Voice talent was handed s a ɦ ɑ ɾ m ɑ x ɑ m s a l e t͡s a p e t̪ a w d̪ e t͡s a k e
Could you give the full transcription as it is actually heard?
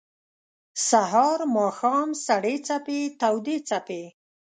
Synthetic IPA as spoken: s a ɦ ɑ ɾ m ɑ x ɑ m s a ɽ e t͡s a p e t̪ a w d̪ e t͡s a p e